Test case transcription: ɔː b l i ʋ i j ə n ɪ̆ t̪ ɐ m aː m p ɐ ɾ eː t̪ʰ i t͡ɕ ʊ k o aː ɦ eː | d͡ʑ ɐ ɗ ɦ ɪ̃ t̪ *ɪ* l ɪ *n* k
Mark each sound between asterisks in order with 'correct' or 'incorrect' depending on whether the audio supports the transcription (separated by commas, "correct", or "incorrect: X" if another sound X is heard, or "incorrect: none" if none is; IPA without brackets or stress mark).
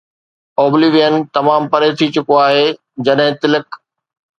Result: correct, incorrect: none